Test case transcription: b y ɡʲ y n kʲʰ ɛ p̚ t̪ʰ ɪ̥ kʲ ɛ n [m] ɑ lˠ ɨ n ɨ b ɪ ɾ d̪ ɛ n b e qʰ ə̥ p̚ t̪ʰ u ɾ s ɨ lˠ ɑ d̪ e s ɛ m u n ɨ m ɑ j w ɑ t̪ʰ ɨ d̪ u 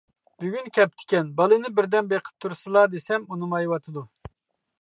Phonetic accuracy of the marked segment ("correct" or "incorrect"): incorrect